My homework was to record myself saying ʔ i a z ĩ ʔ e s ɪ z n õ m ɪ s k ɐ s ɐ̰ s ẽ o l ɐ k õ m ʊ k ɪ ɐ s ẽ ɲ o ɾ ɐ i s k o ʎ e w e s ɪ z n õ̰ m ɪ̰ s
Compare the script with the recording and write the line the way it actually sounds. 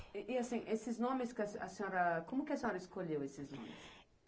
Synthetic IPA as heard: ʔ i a s ĩ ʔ e s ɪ z n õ m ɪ s k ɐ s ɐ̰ s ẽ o ɾ ɐ k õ m ʊ k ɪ ɐ s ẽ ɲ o ɾ ɐ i s k o ʎ e w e s ɪ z n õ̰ m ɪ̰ s